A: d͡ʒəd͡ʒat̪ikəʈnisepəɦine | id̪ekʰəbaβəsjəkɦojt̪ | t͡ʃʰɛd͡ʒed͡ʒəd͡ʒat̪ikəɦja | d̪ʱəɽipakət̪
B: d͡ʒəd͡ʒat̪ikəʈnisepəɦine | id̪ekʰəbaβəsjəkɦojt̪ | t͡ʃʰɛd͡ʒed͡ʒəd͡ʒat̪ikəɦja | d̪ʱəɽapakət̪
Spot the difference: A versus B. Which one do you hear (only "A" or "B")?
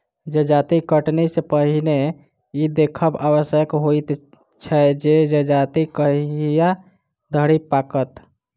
A